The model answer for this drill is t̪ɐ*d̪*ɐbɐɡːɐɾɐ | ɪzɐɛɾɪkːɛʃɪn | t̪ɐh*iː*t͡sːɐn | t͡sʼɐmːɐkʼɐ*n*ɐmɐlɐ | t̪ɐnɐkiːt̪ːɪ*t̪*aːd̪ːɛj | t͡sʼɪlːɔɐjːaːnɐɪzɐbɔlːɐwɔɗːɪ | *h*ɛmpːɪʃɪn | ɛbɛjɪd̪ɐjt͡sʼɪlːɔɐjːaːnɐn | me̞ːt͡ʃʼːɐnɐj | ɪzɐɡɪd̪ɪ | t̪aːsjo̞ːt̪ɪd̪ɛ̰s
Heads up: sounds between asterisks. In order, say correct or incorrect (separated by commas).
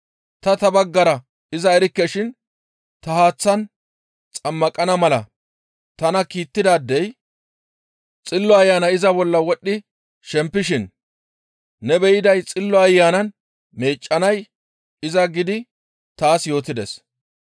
incorrect, incorrect, correct, incorrect, incorrect